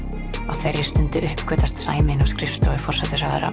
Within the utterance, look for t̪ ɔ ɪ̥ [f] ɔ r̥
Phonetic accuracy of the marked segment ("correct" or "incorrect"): correct